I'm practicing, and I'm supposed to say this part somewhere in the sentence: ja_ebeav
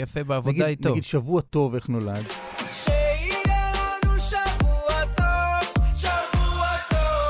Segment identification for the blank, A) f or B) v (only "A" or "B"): A